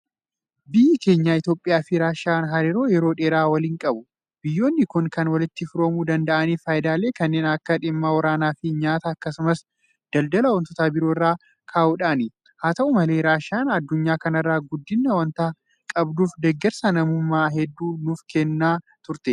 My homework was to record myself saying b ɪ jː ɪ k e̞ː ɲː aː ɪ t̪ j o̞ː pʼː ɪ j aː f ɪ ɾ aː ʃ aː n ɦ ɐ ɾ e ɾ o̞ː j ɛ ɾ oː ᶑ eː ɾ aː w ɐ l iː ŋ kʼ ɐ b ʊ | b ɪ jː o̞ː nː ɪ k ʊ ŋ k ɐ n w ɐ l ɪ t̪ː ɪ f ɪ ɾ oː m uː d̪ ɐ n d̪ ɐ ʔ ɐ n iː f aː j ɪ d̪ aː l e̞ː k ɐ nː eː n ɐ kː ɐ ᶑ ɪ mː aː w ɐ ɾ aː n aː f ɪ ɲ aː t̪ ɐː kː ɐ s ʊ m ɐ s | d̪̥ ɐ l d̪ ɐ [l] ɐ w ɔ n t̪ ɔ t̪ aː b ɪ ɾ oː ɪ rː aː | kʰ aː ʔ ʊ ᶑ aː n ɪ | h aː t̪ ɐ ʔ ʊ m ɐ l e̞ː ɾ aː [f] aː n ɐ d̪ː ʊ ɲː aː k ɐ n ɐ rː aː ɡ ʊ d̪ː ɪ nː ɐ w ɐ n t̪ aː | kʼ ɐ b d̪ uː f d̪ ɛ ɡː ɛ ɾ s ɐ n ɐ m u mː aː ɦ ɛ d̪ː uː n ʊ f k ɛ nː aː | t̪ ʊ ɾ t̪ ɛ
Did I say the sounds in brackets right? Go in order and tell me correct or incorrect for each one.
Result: correct, incorrect: ʃ

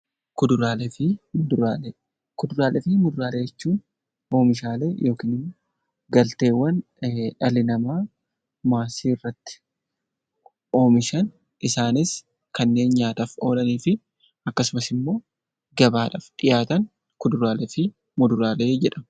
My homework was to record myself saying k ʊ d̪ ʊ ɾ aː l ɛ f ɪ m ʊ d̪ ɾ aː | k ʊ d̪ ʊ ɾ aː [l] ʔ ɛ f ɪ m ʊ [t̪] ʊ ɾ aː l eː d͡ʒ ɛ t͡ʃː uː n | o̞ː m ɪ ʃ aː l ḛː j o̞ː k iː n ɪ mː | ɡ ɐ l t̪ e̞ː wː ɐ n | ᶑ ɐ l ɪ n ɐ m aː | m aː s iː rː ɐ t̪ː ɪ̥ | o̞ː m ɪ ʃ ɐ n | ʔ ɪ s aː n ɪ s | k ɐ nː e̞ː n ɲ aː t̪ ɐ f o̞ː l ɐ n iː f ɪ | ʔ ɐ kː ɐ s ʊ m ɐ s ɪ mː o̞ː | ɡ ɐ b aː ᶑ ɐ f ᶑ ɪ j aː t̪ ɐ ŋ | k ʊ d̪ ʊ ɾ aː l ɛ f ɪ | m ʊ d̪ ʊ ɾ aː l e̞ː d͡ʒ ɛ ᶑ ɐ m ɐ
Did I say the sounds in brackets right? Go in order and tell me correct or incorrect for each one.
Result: correct, incorrect: d̪

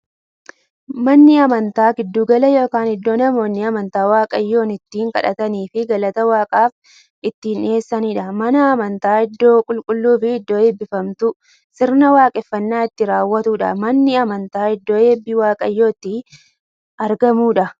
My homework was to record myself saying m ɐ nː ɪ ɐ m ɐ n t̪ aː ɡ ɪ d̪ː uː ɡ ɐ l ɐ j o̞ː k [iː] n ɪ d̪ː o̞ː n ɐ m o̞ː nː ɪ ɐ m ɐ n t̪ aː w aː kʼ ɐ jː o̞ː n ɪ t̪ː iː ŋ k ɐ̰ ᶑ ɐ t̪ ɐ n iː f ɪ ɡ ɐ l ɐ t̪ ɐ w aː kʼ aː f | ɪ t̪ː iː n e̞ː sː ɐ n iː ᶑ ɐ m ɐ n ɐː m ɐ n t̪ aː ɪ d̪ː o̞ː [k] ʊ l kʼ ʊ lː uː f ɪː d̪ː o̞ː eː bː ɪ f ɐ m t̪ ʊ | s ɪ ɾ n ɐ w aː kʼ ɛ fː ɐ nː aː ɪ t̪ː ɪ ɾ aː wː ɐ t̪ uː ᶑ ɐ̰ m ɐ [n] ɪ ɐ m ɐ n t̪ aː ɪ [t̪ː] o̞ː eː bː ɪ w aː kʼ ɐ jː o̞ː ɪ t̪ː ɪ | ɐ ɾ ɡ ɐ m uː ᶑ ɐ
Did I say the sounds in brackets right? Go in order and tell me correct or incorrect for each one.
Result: incorrect: aː, incorrect: kʼ, incorrect: nː, incorrect: d̪ː

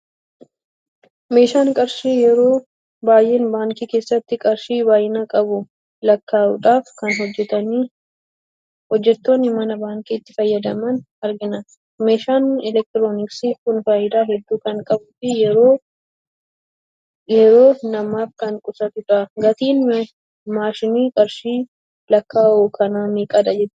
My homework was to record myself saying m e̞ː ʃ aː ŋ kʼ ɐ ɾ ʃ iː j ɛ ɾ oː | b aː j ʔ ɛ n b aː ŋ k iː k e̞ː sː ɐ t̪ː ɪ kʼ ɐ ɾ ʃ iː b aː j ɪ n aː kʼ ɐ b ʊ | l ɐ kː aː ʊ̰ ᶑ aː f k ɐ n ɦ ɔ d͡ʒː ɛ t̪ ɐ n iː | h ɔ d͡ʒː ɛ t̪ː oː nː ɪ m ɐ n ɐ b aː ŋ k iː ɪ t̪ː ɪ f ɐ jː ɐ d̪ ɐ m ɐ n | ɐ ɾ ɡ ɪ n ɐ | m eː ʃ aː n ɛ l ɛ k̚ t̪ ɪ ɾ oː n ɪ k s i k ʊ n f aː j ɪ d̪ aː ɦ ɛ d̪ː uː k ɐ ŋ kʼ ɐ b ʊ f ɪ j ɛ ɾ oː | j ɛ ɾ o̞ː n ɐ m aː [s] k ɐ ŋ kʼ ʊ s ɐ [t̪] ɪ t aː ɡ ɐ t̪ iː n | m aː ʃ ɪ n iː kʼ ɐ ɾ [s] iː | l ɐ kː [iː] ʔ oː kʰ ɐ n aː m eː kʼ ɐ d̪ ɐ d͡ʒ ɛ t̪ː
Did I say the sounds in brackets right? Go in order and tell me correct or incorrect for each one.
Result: incorrect: f, correct, incorrect: ʃ, incorrect: aː

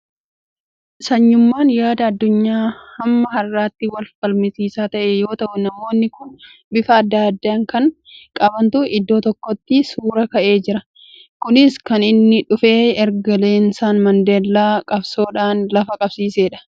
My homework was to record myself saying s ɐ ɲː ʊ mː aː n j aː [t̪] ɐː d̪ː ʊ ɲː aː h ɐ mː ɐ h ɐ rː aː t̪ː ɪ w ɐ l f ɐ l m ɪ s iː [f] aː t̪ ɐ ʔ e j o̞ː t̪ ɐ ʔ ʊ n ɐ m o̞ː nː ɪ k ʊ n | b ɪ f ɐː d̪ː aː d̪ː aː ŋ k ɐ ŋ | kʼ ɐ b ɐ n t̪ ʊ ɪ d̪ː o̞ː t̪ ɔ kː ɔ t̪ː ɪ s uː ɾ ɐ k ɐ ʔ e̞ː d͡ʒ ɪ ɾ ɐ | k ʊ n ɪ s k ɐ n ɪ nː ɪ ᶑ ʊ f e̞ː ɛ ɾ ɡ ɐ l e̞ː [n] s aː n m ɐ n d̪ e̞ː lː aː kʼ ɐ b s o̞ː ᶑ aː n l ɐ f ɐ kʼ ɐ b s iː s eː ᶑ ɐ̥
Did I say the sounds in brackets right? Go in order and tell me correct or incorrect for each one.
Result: incorrect: d̪, incorrect: s, correct

